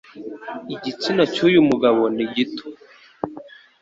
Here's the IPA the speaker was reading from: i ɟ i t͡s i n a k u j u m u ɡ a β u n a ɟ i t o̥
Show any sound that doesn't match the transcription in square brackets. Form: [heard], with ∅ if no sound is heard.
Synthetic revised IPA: i ɟ i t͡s i n a [c] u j u m u ɡ a β [o] n [i] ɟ i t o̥